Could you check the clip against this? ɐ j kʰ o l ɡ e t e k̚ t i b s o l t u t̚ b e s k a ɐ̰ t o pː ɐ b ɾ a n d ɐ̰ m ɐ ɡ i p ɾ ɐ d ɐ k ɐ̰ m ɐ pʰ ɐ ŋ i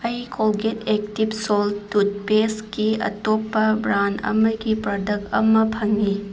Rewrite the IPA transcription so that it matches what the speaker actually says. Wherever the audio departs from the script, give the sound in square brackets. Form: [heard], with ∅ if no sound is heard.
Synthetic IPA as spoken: ɐ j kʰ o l ɡ e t e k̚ t i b s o l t u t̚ [p] e s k [i] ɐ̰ t o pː ɐ b ɾ a n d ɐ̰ m ɐ ɡ i p ɾ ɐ d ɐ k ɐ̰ m ɐ pʰ ɐ ŋ i